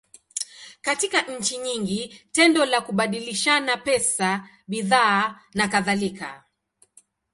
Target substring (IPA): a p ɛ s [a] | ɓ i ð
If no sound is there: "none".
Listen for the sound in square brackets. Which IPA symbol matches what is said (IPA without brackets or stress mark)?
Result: a